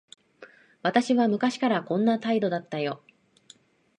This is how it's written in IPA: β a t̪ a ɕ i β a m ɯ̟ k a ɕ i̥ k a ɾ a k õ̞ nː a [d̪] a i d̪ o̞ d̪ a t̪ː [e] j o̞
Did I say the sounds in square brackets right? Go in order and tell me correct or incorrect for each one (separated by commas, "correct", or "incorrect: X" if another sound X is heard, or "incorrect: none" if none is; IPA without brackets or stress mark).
incorrect: t̪, incorrect: a